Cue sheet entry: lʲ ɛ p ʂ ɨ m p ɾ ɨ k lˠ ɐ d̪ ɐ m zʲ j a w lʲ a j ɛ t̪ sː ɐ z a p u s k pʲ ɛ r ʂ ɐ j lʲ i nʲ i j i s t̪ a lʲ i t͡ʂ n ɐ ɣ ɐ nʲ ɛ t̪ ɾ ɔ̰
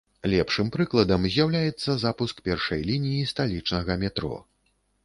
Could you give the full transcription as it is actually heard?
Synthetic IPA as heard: lʲ ɛ p ʂ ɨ m p ɾ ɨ k lˠ ɐ d̪ ɐ m zʲ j a w lʲ a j ɛ t̪ sː ɐ z a p u s k pʲ ɛ r ʂ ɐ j lʲ i nʲ i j i s t̪ a lʲ i t͡ʂ n ɐ ɣ ɐ mʲ ɛ t̪ ɾ ɔ̰